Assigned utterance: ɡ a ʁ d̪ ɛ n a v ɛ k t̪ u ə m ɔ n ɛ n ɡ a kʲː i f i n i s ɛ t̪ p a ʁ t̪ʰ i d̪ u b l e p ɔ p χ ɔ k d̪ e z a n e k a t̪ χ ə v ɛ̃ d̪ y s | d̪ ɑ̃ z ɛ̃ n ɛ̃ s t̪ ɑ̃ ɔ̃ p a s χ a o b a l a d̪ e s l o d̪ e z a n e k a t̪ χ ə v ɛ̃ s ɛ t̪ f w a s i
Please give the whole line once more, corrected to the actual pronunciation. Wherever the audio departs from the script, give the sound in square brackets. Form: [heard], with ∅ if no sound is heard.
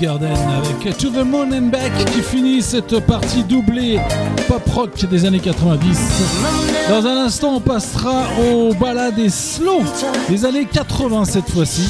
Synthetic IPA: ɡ a ʁ d̪ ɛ n a v ɛ k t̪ u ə m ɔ n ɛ n [b] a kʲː i f i n i s ɛ t̪ p a ʁ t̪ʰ i d̪ u b l e p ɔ p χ ɔ k d̪ e z a n e k a t̪ χ ə v ɛ̃ d̪ [i] s | d̪ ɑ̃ z ɛ̃ n ɛ̃ s t̪ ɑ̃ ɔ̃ p a s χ a o b a l a d̪ e s l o d̪ e z a n e k a t̪ χ ə v ɛ̃ s ɛ t̪ f w a s i